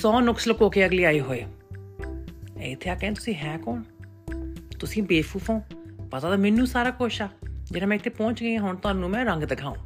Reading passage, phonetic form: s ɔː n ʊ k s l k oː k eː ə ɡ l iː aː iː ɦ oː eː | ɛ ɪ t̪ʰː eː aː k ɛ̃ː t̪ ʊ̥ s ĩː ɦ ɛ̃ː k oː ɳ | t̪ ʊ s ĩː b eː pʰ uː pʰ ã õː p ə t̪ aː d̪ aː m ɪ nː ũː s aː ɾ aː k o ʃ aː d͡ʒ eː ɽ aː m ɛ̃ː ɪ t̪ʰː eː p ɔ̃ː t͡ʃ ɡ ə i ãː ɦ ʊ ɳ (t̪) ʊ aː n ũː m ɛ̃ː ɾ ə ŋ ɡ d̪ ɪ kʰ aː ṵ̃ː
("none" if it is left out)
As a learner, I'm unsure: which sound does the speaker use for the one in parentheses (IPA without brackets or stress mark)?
t̪